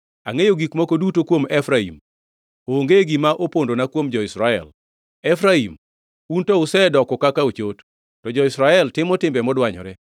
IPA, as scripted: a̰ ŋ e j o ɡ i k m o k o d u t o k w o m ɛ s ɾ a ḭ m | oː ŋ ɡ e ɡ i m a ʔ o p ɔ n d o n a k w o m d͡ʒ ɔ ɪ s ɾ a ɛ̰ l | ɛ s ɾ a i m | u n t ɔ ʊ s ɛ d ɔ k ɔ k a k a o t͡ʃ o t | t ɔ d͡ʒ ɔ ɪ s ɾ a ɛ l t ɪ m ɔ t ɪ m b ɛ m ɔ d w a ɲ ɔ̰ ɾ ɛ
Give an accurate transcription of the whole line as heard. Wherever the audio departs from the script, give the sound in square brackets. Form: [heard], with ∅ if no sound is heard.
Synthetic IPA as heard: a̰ ŋ e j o ɡ i k m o k o d u t o k w o m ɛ [f] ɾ a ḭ m | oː ŋ ɡ e ɡ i m a ʔ o p [o] n d o n a k w o m d͡ʒ ɔ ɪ s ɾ a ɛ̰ l | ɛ [f] ɾ a i m | u n t ɔ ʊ s ɛ d ɔ k ɔ k a k a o t͡ʃ o t | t ɔ d͡ʒ ɔ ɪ s ɾ a ɛ l t ɪ m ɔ t ɪ m b ɛ m ɔ d w a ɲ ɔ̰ ɾ ɛ

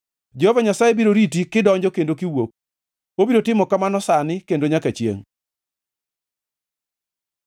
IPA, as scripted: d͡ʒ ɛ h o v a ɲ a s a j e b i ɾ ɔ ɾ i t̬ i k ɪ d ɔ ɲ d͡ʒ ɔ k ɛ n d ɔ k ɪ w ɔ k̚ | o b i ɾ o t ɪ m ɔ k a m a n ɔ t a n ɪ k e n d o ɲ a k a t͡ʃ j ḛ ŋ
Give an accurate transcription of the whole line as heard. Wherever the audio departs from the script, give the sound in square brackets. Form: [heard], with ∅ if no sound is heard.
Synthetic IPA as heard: d͡ʒ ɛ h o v a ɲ a s a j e b i ɾ [o] ɾ i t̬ i k ɪ d ɔ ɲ d͡ʒ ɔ k [e] n d [o] k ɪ w [o] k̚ | o b i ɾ o t ɪ m ɔ k a m a n ɔ [s] a n ɪ k e n d o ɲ a k a t͡ʃ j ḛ ŋ

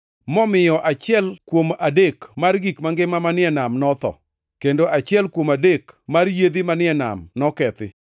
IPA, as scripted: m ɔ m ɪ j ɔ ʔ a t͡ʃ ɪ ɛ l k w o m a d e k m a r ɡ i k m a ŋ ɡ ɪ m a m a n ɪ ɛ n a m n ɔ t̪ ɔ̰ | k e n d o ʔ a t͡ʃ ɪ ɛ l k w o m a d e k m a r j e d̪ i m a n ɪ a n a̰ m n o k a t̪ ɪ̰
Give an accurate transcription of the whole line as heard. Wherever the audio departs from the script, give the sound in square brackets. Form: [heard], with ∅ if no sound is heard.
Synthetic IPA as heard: m ɔ m ɪ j ɔ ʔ a t͡ʃ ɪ ɛ l k w o m a d e k m a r ɡ i k m a ŋ ɡ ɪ m a m a n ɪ ɛ n a m n ɔ t̪ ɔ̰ | k e n d o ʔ a t͡ʃ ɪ ɛ l k w o m a d e k m a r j e d̪ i m a n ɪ [ɛ] n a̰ m n [ɔ] k [ɛ] t̪ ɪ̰

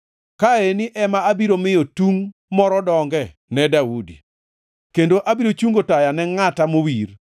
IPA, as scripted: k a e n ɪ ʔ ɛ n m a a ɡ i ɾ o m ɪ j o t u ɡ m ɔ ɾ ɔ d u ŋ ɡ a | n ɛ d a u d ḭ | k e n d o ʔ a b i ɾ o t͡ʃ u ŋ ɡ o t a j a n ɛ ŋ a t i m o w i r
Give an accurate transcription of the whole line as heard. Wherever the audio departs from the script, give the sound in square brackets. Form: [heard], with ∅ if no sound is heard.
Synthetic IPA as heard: k a e n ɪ ʔ ɛ [∅] m a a [b] i ɾ o m ɪ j o t u [ŋ] m ɔ ɾ ɔ d [ɔ] ŋ ɡ [ɛ] | n ɛ d a u d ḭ | k e n d o ʔ a b i ɾ o t͡ʃ u ŋ ɡ o t a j a n ɛ ŋ a t [a] m o w i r

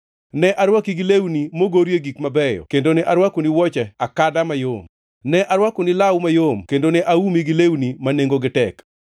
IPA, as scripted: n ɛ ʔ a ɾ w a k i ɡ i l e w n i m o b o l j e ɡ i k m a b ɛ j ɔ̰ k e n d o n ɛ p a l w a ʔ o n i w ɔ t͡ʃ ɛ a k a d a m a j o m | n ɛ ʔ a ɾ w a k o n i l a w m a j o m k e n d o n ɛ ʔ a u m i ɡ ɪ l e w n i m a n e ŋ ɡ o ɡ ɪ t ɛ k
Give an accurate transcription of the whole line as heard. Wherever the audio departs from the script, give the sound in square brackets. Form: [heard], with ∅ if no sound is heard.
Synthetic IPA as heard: n ɛ ʔ a ɾ w a k i ɡ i l e w n i m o [ɡ] o [ɾ] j e ɡ i k m a b ɛ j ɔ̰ k e n d o n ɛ [ʔ] a [ɾ] w a [k] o n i w ɔ t͡ʃ ɛ a k a d a m a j o m | n ɛ ʔ a ɾ w a k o n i l a w m a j o m k e n d o n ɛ ʔ a u m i ɡ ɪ l e w n i m a n e ŋ ɡ o ɡ ɪ t ɛ k

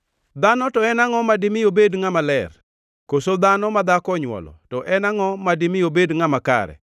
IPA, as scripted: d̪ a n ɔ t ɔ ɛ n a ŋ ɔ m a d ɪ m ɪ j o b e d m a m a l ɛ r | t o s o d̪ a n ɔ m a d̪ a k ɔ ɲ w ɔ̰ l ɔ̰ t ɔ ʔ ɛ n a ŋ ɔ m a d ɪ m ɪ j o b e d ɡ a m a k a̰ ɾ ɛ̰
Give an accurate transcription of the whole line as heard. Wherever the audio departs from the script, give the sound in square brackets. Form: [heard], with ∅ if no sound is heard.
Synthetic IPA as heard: d̪ a n ɔ t ɔ ɛ n a ŋ ɔ m a d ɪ m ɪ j o b e d [ŋ] a m a l ɛ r | [k] o s o d̪ a n ɔ m a d̪ a k ɔ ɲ w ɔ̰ l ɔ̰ t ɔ ʔ ɛ n a ŋ ɔ m a d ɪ m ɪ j o b e d [ŋ] a m a k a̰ ɾ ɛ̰

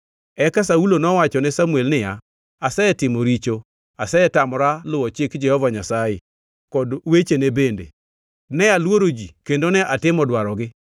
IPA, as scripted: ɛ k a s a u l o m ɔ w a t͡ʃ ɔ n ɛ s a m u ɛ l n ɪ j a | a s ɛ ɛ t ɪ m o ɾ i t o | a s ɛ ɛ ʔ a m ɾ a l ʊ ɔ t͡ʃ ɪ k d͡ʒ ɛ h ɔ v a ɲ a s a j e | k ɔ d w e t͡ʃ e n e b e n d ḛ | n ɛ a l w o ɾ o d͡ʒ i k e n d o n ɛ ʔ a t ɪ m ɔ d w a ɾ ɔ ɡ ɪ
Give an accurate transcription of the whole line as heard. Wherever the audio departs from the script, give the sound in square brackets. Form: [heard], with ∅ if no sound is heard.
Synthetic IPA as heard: ɛ k a s a u l o [n] ɔ w a t͡ʃ ɔ n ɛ s a m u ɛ l n ɪ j a | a s ɛ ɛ t ɪ m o ɾ i [t͡ʃ] o | a s ɛ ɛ [t] a m ɾ a l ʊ ɔ t͡ʃ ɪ k d͡ʒ ɛ h ɔ v a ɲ a s a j e | k ɔ d w e t͡ʃ e n e b e n d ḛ | n ɛ a l w o ɾ o d͡ʒ i k e n d o n ɛ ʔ a t ɪ m ɔ d w a ɾ ɔ ɡ ɪ

